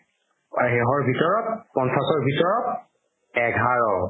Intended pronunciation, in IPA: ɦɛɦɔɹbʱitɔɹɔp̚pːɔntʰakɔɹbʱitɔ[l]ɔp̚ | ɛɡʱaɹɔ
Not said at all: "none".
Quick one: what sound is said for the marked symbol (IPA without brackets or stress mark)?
ɹ